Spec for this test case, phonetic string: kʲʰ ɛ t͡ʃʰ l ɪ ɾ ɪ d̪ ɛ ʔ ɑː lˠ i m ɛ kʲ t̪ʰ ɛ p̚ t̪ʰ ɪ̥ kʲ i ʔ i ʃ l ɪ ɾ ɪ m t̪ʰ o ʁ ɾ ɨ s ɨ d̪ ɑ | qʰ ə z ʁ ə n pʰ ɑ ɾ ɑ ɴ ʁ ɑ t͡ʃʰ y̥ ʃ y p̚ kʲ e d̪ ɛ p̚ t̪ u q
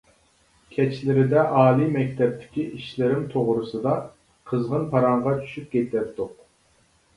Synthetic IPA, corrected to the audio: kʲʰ ɛ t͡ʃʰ l ɪ ɾ ɪ d̪ ɛ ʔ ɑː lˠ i m ɛ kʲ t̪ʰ ɛ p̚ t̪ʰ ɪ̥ kʲ i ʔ i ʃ l ɪ ɾ ɪ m t̪ʰ o ʁ ɾ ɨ s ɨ d̪ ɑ | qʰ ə z ʁ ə n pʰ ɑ ɾ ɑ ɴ ʁ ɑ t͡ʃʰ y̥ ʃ y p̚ kʲ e t̪ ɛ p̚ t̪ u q